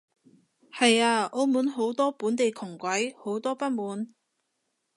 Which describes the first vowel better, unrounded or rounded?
unrounded